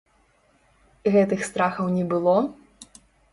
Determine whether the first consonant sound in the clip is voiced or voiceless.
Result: voiced